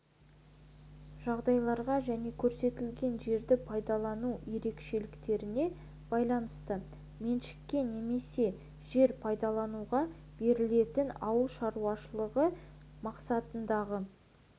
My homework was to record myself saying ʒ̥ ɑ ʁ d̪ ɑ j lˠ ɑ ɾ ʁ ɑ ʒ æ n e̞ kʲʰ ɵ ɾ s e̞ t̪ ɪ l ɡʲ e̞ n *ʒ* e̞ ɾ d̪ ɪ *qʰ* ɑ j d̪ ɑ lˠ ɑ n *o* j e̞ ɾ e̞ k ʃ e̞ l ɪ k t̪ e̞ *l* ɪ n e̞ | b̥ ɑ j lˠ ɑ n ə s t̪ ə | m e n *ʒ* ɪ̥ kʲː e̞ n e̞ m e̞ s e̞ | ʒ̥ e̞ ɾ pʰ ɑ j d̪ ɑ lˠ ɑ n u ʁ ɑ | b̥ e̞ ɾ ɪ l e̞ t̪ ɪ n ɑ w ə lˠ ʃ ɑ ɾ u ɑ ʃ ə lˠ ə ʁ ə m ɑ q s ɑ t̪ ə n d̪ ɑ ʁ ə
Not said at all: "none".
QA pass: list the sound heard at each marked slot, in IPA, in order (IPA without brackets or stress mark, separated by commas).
ʒ, pʰ, u, ɾ, ʃ